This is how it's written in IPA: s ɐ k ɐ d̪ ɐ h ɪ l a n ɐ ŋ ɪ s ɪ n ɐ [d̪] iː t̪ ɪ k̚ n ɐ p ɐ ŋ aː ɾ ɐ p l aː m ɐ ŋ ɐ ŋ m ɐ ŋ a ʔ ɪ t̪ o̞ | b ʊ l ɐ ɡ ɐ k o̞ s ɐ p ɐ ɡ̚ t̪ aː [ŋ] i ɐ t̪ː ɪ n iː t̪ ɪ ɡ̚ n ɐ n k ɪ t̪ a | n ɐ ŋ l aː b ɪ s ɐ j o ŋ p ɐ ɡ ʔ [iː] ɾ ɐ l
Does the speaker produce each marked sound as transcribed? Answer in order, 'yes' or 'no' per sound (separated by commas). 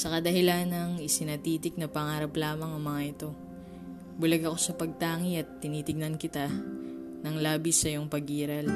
no, yes, yes